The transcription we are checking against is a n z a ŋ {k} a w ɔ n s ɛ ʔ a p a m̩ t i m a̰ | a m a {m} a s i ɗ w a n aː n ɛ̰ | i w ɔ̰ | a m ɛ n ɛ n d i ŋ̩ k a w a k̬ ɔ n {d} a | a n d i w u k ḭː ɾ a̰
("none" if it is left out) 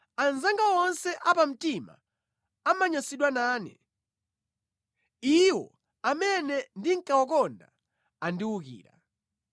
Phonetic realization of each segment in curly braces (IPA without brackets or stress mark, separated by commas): ɡ, ɲ, d